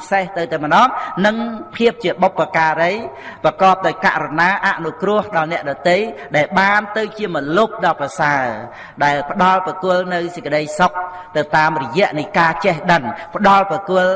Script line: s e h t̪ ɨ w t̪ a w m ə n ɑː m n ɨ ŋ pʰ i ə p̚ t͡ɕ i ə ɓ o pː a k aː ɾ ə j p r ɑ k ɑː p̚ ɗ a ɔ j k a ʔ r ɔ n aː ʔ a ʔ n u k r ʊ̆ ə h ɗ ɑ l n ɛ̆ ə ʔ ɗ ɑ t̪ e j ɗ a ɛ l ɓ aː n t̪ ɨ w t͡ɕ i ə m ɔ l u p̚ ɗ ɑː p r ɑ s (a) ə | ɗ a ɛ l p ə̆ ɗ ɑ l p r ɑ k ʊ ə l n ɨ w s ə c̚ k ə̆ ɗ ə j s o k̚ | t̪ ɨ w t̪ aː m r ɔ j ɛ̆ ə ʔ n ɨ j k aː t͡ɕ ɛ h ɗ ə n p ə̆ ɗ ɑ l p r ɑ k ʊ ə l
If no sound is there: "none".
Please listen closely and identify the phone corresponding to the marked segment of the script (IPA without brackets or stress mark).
a